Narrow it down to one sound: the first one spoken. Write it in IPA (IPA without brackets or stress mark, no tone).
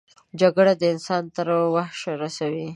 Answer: d͡ʒ